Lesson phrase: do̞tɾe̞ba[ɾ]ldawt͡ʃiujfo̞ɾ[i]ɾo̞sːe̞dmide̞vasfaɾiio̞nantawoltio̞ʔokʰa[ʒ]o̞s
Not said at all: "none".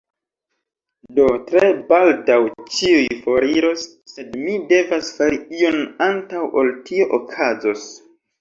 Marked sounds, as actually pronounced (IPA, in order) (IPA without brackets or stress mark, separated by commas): none, i, z